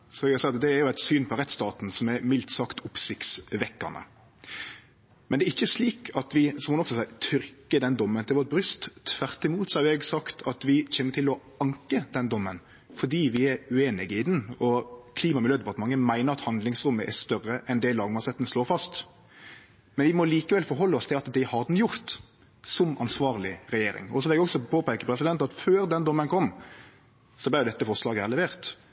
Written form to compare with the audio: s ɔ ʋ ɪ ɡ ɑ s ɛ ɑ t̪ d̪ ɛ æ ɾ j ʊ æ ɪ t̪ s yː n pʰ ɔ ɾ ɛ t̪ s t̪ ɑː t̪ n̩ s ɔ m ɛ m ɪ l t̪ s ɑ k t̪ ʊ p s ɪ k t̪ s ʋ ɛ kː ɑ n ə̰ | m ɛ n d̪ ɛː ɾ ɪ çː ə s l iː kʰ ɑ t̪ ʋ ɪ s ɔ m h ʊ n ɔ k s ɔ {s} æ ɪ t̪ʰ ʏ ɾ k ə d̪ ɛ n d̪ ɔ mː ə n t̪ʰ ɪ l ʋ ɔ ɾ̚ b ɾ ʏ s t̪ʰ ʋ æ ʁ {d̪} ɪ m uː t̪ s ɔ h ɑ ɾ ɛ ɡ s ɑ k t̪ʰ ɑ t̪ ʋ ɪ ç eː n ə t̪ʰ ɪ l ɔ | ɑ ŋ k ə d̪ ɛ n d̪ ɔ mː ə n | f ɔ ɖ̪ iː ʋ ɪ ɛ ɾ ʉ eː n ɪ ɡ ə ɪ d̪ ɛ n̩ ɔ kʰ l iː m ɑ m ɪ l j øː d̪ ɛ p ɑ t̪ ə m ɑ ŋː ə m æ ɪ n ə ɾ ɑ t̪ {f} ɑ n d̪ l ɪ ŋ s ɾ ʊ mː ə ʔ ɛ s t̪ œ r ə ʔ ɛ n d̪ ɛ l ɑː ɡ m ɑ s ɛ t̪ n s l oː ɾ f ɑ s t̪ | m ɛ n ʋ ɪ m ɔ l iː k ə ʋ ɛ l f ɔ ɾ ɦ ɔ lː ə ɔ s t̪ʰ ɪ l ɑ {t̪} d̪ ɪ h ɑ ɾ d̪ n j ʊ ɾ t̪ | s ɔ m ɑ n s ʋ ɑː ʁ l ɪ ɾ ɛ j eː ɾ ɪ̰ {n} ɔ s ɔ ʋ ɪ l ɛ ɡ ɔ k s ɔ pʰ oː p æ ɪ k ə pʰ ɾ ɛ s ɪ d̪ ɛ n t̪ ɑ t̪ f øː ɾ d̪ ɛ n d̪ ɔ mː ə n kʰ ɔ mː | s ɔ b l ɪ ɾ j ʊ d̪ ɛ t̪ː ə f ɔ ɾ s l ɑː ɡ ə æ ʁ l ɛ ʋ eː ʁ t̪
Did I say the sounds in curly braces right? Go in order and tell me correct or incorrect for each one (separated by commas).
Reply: correct, incorrect, incorrect, correct, incorrect